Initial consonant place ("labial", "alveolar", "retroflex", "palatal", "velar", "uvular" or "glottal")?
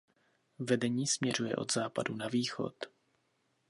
labial